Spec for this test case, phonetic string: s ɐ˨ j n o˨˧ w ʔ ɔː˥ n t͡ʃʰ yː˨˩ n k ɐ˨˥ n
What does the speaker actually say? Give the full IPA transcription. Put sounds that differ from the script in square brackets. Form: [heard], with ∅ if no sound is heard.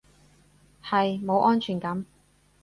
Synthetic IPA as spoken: [h] ɐ˨ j [m] o˨˧ w ʔ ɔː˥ n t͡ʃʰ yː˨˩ n k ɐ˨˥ [m]